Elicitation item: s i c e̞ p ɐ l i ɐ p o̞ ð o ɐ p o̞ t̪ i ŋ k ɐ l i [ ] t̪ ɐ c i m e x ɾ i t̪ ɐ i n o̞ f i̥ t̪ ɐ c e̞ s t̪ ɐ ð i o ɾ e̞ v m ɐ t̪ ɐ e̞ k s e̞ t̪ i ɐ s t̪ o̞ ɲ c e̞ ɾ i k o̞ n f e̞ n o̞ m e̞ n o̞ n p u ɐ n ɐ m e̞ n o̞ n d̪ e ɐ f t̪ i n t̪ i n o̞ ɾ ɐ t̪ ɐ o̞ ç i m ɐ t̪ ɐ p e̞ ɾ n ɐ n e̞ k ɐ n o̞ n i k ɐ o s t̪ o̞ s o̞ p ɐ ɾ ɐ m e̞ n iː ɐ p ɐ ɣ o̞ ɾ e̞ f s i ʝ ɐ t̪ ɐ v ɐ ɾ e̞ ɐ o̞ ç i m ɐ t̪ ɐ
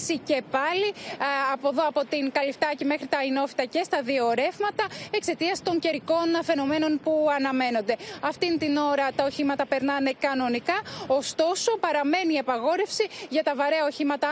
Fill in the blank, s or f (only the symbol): f